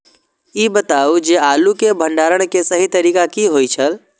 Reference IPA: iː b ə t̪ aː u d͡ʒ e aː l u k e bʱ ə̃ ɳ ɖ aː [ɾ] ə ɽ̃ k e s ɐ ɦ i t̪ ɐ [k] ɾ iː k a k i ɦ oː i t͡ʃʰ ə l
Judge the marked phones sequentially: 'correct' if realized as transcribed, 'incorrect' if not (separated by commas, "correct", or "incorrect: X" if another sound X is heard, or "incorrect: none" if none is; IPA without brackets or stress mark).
correct, incorrect: none